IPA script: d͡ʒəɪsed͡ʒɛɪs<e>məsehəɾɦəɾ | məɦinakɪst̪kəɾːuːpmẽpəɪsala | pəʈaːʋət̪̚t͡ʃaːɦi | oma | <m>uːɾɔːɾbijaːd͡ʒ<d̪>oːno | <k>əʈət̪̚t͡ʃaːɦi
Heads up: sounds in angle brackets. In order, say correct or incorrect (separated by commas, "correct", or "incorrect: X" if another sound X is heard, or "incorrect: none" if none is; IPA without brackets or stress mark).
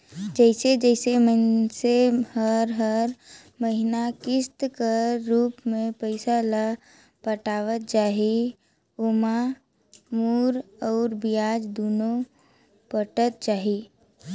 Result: correct, correct, correct, incorrect: p